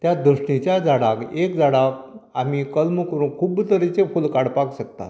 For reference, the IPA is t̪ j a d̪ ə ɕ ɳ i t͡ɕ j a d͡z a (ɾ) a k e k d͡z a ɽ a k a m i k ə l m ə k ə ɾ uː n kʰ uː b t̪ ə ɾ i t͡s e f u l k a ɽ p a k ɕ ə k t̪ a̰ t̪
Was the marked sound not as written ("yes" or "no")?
yes